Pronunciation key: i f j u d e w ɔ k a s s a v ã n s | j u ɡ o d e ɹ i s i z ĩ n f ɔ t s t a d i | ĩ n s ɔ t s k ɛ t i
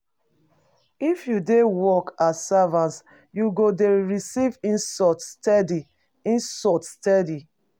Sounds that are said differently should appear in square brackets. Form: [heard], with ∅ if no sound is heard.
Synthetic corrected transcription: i f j u d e w ɔ k a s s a v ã n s | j u ɡ o d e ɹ i s i [v] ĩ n [s] ɔ t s t [ɛ] d i | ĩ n s ɔ t s [t] ɛ [d] i